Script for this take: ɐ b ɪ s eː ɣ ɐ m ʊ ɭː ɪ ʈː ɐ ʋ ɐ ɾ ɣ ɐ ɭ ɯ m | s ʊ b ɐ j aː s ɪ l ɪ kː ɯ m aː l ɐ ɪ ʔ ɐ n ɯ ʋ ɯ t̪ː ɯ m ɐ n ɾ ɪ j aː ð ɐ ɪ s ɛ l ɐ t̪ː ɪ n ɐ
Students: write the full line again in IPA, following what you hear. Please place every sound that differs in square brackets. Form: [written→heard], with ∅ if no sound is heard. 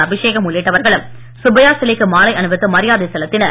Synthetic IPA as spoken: ɐ b ɪ [s→ʂ] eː ɣ ɐ m ʊ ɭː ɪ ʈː ɐ ʋ ɐ ɾ ɣ ɐ ɭ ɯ m | s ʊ b ɐ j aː s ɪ l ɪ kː ɯ m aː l ɐ ɪ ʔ ɐ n ɯ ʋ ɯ t̪ː ɯ m ɐ [n→∅] ɾ ɪ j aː ð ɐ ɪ s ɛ l ɐ t̪ː ɪ n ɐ